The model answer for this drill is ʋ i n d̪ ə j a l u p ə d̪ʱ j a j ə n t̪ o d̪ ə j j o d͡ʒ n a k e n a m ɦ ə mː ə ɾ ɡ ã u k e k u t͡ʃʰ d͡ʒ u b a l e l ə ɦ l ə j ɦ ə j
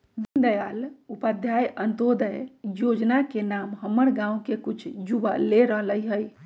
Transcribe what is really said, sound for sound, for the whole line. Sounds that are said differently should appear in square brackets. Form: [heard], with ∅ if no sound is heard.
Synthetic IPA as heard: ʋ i n d̪ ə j a l u p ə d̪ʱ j a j ə n t̪ o d̪ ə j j o d͡ʒ n a k e n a m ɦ ə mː ə ɾ ɡ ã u k e k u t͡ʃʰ d͡ʒ u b a l e [ɾ] ə ɦ l ə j ɦ ə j